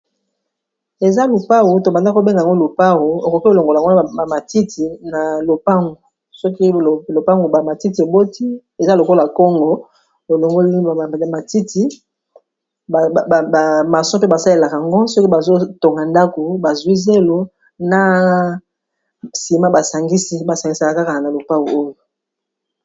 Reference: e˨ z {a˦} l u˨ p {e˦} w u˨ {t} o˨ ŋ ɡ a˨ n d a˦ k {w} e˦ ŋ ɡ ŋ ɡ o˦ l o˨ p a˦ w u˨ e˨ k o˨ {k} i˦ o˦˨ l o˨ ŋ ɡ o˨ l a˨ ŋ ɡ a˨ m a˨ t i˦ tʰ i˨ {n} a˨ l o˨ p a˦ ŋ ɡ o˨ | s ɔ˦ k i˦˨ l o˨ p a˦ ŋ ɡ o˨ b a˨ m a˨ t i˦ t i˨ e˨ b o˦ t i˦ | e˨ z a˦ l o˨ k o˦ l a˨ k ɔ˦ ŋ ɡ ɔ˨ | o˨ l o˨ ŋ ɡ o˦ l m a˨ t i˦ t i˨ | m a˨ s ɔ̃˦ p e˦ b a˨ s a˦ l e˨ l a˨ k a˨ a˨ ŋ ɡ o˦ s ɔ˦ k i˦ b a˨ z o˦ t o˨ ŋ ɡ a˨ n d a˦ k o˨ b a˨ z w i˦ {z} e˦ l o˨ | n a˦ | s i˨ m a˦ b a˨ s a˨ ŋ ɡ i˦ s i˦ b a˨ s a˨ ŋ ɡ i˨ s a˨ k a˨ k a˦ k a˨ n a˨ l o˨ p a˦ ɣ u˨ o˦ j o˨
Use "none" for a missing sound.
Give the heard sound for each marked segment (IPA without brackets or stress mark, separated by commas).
a˦, a˦, t, b, k, n, z